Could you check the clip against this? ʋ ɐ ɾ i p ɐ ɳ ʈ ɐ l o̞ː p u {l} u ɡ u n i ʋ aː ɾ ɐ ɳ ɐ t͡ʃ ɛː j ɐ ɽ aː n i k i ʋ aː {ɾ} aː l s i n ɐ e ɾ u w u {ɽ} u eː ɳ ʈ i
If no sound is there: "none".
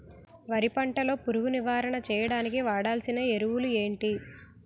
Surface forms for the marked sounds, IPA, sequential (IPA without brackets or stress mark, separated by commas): ɾ, ɽ, l